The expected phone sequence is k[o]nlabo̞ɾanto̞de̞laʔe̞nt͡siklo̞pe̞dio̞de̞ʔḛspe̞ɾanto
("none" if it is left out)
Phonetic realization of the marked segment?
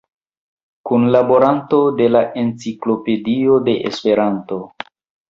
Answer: u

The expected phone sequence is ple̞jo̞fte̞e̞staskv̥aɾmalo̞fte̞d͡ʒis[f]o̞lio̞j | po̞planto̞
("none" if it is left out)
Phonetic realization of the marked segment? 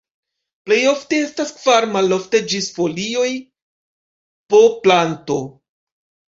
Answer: f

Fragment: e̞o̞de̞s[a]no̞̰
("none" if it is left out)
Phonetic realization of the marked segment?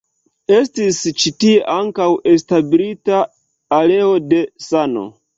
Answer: a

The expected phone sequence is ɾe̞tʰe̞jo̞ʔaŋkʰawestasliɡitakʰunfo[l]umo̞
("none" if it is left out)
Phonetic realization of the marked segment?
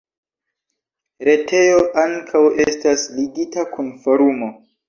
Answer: ɾ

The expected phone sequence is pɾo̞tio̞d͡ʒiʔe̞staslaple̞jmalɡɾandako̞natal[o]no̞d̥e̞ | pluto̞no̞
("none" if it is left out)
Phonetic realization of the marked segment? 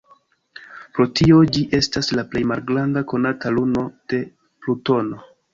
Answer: u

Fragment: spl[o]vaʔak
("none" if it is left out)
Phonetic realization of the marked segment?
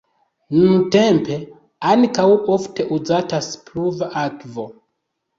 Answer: u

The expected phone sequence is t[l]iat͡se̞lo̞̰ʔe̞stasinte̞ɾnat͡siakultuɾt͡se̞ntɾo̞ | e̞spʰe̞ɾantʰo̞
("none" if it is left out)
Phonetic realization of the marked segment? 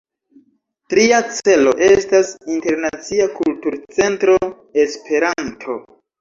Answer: ɾ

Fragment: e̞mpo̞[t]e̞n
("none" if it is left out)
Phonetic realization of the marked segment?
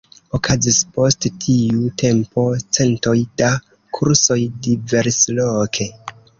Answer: t͡s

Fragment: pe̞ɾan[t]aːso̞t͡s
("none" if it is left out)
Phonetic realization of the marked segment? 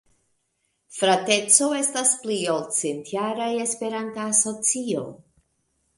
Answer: t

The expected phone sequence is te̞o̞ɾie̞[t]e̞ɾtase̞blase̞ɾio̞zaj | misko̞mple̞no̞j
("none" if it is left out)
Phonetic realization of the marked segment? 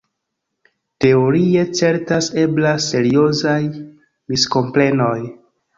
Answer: t͡s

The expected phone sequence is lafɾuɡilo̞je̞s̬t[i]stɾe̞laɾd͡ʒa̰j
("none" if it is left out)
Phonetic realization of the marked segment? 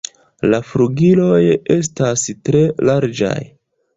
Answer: a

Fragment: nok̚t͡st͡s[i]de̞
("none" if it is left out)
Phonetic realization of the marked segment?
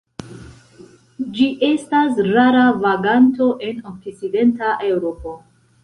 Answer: i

